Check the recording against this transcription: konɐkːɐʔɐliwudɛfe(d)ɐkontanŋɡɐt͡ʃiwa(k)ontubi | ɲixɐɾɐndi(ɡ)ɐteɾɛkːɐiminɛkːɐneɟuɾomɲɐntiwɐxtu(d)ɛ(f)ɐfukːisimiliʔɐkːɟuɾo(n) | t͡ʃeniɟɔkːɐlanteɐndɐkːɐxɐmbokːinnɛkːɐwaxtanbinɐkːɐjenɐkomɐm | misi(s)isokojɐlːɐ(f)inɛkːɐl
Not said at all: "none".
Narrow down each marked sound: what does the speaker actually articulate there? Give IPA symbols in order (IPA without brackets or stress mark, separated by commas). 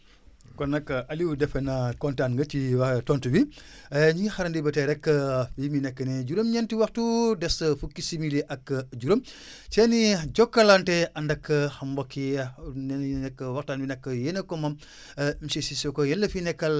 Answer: n, t, b, d, s, m, s, f